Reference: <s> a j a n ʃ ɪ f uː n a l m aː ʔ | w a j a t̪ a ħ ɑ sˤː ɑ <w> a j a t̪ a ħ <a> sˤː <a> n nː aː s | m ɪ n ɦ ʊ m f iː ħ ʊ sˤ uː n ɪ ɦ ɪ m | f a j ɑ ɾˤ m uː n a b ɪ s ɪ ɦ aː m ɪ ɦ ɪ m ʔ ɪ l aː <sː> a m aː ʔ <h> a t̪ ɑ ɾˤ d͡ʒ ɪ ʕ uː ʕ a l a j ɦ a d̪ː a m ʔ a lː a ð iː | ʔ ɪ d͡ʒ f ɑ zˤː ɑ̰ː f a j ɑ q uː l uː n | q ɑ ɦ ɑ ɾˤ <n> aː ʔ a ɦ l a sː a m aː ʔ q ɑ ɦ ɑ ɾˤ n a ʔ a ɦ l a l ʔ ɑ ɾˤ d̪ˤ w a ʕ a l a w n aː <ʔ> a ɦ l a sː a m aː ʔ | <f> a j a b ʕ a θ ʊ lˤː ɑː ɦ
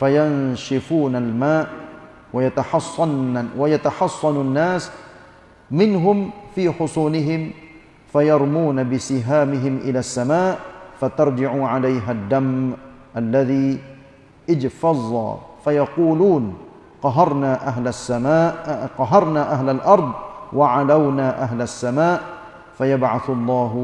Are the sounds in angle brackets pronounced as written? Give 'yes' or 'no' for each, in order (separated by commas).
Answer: no, yes, no, no, yes, no, yes, yes, yes